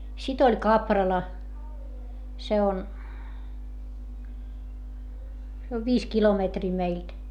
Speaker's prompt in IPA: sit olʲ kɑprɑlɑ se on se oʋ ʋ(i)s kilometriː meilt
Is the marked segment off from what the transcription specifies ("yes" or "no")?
yes